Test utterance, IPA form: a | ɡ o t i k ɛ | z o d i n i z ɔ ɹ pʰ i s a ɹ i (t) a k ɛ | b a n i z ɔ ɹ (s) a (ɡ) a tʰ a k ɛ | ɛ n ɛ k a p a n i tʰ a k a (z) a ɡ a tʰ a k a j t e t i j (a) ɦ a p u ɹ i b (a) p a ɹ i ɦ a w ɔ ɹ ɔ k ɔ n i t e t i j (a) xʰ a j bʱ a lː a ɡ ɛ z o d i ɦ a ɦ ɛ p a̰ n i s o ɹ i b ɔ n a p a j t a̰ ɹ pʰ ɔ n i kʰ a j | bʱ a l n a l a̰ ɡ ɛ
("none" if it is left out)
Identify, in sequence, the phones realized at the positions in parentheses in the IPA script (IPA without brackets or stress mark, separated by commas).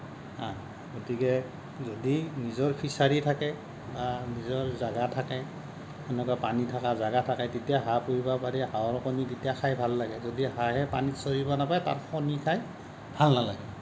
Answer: tʰ, z, ɡ, z, a, a, a